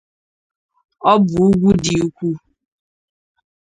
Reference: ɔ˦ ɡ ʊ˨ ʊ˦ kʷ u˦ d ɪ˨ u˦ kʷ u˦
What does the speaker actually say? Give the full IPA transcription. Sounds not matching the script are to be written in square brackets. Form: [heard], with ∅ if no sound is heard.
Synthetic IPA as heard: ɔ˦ [b] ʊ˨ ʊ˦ [ɡʷ] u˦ d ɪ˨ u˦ kʷ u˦